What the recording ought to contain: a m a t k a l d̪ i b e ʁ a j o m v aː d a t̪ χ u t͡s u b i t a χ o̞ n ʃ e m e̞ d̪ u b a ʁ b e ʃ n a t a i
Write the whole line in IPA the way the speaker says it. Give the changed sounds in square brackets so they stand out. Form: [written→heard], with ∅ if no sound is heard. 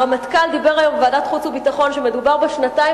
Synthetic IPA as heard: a m a t k a l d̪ i b e ʁ a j o m v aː d a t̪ χ u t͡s u b i t a χ o̞ n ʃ e m e̞ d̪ u b a ʁ b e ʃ n a t a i